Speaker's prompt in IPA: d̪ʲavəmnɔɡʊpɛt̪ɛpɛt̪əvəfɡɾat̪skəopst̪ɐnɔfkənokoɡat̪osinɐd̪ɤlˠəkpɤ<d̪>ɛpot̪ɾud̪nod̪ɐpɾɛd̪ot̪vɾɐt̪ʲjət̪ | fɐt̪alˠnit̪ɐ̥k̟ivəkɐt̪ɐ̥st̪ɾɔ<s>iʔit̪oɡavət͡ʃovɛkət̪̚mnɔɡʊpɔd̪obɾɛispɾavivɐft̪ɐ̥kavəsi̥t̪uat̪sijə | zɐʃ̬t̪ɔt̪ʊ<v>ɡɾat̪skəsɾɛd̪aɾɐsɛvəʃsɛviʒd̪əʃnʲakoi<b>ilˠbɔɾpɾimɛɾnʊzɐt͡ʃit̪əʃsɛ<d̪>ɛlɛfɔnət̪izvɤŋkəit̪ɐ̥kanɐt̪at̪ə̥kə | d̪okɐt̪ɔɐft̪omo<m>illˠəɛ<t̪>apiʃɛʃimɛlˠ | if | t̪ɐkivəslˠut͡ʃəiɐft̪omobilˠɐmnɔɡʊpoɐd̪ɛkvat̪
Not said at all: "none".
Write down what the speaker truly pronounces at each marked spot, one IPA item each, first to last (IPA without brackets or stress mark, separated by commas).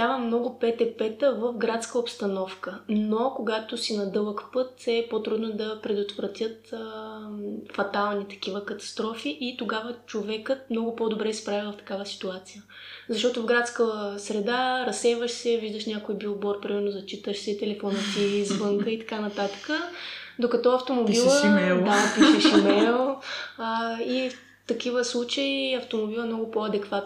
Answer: t̪, f, v, b, t̪, b, d̪